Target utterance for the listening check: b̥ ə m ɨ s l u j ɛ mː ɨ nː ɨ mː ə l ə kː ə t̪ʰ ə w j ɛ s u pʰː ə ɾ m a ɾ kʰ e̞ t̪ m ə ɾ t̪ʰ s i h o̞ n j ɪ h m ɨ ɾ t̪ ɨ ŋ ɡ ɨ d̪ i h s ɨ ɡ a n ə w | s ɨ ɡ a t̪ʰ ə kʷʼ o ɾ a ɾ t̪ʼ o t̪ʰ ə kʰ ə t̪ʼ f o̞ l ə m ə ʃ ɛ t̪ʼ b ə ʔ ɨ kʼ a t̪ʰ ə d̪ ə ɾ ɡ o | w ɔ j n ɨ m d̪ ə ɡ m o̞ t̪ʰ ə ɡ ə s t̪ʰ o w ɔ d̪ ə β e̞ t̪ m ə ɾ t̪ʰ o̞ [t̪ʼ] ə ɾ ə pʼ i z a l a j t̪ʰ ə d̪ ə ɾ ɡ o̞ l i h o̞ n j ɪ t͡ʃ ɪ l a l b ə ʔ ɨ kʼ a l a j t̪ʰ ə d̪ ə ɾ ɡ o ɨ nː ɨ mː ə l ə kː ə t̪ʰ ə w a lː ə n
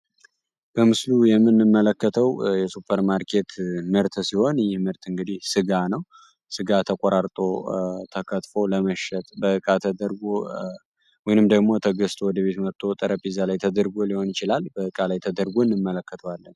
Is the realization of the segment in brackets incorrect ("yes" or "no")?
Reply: no